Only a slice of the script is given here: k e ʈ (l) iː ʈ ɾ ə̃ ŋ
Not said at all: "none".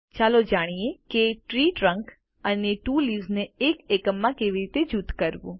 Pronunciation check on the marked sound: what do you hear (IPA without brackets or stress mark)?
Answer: ɾ